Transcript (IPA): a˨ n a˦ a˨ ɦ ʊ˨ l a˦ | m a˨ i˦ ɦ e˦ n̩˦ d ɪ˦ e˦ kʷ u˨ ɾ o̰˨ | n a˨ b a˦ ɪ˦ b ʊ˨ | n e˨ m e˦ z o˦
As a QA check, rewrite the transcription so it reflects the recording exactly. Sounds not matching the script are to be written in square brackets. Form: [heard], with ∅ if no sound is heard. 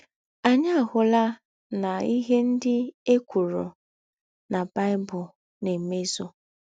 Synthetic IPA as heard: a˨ [ɲ] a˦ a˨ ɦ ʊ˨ l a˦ | [n] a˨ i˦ ɦ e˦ n̩˦ d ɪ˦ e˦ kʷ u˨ ɾ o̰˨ | n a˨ b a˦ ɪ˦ b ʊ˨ | n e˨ m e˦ z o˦